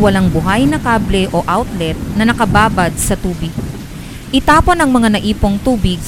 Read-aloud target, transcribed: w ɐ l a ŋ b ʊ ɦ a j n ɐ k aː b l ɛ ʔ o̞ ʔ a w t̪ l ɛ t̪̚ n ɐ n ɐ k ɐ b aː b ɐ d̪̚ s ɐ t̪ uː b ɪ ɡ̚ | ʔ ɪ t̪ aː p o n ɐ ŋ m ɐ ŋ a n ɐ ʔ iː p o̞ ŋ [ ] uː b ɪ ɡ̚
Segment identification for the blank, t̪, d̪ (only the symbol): t̪